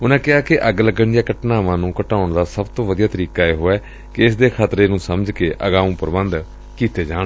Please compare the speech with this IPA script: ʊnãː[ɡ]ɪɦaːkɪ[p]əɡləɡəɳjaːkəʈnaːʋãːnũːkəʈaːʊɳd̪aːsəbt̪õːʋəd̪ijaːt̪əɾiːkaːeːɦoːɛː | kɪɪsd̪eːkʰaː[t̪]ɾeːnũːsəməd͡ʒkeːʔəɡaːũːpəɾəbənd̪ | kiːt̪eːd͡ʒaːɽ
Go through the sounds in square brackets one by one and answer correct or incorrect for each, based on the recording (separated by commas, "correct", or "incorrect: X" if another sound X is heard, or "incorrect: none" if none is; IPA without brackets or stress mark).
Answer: incorrect: k, incorrect: ʔ, correct